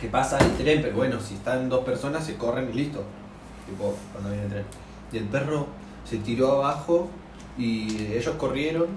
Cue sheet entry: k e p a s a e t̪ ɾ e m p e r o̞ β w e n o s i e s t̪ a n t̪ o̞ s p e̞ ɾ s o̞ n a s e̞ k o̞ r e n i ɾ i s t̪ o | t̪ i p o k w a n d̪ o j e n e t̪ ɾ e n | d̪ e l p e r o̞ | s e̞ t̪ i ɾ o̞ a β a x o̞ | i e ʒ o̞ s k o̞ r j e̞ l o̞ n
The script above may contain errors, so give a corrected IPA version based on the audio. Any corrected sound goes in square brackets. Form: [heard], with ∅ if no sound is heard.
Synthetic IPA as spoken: k e p a s a e t̪ ɾ e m p e [ɾ] o̞ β w e n o s i e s t̪ a n [d̪] o̞ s p e̞ ɾ s o̞ n a s e̞ k o̞ r e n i [l] i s t̪ o | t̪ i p o k w a n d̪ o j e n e t̪ ɾ e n | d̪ e l p e r o̞ | s e̞ t̪ i ɾ o̞ a β a x o̞ | i e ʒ o̞ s k o̞ r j e̞ [ɾ] o̞ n